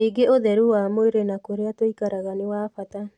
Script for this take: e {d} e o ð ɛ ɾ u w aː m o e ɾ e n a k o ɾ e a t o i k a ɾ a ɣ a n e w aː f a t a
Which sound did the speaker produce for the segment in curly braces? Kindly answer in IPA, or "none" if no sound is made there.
ɡ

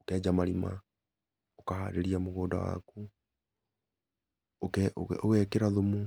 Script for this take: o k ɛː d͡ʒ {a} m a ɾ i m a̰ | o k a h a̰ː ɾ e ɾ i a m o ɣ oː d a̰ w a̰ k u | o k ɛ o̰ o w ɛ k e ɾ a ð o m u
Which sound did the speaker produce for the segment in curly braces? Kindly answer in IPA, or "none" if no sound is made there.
a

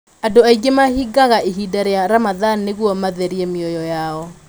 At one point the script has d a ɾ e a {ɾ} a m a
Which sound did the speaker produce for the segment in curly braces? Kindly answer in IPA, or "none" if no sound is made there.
ɾ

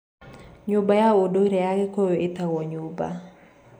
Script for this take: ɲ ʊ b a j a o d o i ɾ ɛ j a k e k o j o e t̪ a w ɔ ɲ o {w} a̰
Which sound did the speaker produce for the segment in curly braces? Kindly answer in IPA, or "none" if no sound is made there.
b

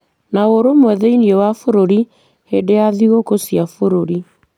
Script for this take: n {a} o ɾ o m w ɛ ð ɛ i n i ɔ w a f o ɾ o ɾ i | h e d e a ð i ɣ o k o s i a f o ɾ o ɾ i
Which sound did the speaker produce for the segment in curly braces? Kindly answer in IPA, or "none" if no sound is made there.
a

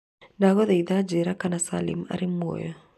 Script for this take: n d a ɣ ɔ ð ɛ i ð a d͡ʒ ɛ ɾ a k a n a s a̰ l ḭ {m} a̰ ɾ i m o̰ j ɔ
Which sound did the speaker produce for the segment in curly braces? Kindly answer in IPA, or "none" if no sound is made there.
m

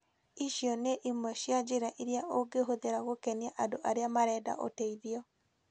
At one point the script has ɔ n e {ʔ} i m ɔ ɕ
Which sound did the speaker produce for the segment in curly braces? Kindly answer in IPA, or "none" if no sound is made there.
ʔ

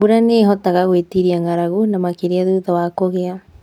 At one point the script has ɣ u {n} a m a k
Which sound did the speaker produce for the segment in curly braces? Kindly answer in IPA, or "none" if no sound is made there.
n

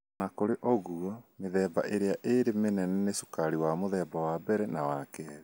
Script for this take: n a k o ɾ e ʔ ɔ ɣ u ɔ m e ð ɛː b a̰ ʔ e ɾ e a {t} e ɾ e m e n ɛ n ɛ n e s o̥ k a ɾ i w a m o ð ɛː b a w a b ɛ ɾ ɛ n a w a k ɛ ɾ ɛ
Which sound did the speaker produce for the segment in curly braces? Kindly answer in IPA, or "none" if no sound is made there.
ʔ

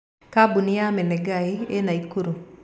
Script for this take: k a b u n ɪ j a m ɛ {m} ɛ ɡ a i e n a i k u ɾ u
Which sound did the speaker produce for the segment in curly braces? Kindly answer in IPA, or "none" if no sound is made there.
n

